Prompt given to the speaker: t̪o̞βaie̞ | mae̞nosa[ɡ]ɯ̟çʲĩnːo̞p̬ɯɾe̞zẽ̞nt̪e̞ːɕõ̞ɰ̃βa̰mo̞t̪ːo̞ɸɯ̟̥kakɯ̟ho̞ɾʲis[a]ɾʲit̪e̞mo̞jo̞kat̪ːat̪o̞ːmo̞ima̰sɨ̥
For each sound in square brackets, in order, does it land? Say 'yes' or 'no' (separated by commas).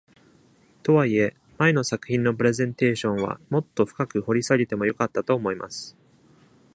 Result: no, yes